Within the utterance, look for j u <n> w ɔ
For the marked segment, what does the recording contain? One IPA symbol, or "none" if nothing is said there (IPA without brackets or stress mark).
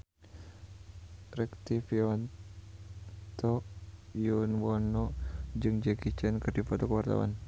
n